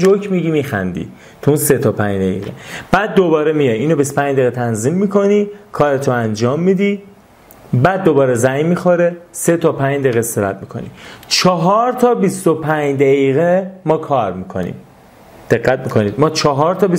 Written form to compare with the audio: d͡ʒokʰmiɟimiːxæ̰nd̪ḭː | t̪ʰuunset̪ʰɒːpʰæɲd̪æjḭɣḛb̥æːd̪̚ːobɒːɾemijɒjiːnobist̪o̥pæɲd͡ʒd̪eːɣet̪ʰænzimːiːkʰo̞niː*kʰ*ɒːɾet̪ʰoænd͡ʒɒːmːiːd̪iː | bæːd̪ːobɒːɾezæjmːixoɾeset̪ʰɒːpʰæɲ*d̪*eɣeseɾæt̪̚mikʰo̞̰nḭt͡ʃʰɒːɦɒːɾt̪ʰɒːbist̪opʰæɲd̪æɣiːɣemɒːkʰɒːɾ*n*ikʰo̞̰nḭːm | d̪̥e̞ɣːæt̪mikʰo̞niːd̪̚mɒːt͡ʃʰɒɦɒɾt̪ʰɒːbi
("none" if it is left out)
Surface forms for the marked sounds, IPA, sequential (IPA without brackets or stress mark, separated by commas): kʰ, d̪, m